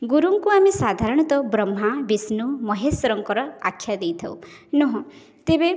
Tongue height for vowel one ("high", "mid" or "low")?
high